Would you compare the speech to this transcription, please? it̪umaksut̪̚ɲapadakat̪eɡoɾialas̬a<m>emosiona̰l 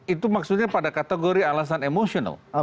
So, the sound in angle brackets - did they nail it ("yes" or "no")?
no